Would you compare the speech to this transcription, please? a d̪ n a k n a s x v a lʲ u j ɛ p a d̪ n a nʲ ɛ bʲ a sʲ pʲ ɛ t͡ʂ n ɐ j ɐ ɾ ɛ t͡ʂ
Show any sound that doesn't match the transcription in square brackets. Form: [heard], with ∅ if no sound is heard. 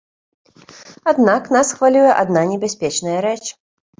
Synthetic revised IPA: a d̪ n a k n a s x v a lʲ u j ɛ [ʔ] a d̪ n a nʲ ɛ bʲ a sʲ pʲ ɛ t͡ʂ n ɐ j ɐ ɾ ɛ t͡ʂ

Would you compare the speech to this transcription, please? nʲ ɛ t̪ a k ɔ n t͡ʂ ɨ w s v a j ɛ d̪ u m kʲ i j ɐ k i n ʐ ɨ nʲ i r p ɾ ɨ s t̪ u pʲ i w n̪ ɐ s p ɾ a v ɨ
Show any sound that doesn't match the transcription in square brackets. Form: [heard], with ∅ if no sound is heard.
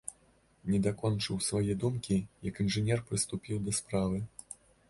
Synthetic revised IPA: nʲ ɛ [d̪] a k ɔ n t͡ʂ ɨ w s v a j ɛ d̪ u m kʲ i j ɐ k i n ʐ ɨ nʲ [ɛ] r p ɾ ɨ s t̪ u pʲ i w [d̪] ɐ s p ɾ a v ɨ

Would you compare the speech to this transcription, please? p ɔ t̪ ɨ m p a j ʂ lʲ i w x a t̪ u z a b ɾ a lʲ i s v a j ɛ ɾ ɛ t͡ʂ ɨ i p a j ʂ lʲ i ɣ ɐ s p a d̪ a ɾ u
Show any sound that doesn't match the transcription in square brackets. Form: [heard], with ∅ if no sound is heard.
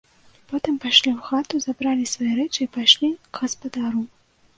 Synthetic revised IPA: p ɔ t̪ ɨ m p a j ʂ lʲ i w x a t̪ u z a b ɾ a lʲ i s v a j ɛ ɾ ɛ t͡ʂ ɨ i p a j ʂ lʲ i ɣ ɐ s p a d̪ a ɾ u

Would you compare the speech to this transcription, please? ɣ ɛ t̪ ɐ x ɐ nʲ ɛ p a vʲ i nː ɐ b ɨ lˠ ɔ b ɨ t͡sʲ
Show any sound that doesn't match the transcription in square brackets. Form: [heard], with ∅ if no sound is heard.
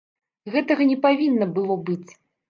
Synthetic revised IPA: ɣ ɛ t̪ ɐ [ɣ] ɐ nʲ ɛ p a vʲ i nː ɐ b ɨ lˠ ɔ b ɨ t͡sʲ

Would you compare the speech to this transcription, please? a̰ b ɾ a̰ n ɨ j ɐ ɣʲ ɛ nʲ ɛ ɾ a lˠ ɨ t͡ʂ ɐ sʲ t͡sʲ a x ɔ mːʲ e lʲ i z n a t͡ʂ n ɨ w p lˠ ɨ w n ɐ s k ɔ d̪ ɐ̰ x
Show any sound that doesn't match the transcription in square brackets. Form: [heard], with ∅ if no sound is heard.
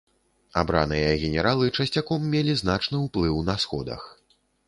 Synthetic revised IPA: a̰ b ɾ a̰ n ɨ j ɐ ɣʲ ɛ nʲ ɛ ɾ a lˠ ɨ t͡ʂ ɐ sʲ t͡sʲ a [k] ɔ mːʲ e lʲ i z n a t͡ʂ n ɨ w p lˠ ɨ w n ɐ s [x] ɔ d̪ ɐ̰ x

